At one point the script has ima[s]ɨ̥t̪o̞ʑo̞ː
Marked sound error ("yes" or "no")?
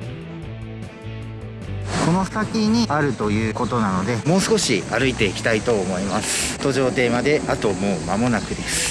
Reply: no